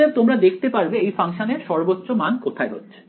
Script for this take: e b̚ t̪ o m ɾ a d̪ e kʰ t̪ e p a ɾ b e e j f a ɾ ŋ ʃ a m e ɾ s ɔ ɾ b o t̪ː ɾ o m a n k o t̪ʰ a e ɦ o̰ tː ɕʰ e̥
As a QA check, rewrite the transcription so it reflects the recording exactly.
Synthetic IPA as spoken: e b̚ t̪ o m ɾ a d̪ e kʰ t̪ e p a ɾ b e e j f a ŋ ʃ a n e ɾ ʃ ɔ ɾ b o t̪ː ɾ o m a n k o t̪ʰ a e ɦ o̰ tː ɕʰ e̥

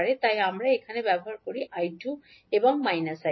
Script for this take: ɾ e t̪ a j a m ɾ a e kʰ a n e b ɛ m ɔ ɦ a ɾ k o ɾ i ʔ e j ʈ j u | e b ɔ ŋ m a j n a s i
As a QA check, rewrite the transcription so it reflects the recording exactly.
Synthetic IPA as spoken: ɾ e t̪ a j a m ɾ a e kʰ a n e b ɛ b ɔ ɦ a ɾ k o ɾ i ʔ a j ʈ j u | e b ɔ ŋ m a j n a s a

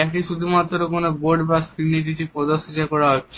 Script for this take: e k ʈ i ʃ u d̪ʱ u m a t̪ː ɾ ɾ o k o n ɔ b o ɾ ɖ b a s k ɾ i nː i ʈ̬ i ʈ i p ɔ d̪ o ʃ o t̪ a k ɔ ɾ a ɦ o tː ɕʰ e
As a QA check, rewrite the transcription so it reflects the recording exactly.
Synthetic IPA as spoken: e k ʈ i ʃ u d̪ʱ u m a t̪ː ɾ ɾ o k o n o b o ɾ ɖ b a s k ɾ i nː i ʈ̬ i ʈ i p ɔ d̪ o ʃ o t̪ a k ɔ ɾ a ɦ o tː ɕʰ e

